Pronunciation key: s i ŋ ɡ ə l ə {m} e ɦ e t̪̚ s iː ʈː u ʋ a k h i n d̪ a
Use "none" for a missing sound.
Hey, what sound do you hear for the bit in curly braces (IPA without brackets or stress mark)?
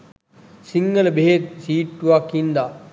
b